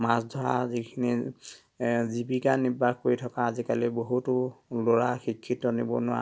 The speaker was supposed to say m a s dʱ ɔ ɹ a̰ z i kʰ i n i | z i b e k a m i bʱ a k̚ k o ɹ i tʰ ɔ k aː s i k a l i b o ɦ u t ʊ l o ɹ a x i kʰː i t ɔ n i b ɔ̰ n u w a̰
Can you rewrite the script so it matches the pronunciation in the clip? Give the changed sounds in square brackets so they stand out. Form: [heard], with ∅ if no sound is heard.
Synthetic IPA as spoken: m a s dʱ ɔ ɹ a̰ z i kʰ i n i | z i b [i] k a [n] i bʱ a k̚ k o ɹ i tʰ ɔ k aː [z] i k a l i b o ɦ u t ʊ l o ɹ a x i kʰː i t ɔ n i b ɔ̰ n [ʊ] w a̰